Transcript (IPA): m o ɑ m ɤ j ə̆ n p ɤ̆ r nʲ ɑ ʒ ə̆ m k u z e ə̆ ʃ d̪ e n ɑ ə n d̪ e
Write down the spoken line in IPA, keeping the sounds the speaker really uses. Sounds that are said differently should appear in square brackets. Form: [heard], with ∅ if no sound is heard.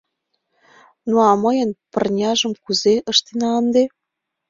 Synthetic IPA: [n] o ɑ m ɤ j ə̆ n p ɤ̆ r nʲ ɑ ʒ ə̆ m k u z e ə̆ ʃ [t̪] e n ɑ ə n d̪ e